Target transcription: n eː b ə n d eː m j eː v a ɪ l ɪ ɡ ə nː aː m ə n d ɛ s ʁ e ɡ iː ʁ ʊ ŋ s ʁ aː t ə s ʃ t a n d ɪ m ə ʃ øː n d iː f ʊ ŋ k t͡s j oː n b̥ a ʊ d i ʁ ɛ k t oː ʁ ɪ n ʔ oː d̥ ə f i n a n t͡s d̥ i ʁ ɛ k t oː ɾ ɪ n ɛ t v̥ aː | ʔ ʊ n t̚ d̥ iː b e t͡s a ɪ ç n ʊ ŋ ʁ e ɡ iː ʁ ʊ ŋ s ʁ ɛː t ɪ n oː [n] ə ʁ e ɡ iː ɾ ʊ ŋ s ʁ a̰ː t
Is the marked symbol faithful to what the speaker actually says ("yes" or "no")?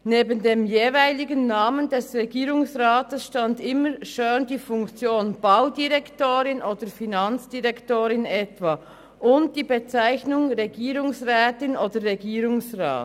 no